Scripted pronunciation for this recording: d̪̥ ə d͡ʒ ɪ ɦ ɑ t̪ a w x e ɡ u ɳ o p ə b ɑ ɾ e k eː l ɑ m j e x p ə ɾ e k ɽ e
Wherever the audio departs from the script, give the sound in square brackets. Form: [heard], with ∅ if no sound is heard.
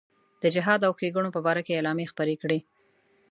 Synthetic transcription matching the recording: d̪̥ ə d͡ʒ ɪ ɦ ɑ [d̪] a w x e ɡ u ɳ o p ə b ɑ ɾ [a] k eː l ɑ m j e x p ə ɾ e k ɽ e